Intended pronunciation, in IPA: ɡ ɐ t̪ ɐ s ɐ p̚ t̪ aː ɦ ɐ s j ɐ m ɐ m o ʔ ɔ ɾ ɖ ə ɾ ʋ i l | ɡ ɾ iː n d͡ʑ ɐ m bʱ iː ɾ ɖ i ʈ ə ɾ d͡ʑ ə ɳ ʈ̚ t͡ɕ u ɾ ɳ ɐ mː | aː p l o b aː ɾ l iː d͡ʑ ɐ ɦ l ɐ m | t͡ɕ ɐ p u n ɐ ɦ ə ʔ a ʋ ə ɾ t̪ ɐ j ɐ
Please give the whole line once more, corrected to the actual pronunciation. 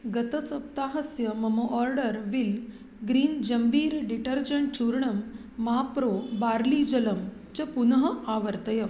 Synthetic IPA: ɡ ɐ t̪ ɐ s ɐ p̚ t̪ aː ɦ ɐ s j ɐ m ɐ m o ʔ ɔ ɾ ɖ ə ɾ ʋ i l | ɡ ɾ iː n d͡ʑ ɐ m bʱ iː ɾ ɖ i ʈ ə ɾ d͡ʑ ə ɳ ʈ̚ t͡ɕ u ɾ ɳ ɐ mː | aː p ɾ o b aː ɾ l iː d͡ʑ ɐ l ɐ m | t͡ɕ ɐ p u n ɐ ɦ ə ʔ a ʋ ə ɾ t̪ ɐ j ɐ